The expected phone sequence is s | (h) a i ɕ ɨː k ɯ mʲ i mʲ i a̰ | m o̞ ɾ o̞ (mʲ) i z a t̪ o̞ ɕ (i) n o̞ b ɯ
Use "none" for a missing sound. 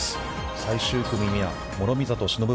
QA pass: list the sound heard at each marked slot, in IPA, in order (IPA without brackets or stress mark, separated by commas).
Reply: s, mʲ, i